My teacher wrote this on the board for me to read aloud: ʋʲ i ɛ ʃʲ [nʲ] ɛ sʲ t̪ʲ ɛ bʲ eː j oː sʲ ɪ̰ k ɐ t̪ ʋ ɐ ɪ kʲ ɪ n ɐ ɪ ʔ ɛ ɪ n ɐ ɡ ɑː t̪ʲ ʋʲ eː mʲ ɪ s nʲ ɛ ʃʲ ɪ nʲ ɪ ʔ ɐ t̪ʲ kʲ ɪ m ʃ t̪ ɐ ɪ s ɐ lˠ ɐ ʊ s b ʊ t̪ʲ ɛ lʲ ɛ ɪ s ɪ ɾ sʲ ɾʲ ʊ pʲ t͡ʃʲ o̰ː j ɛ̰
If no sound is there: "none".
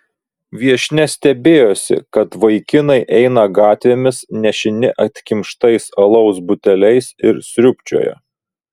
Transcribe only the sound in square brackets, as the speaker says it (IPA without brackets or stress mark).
nʲ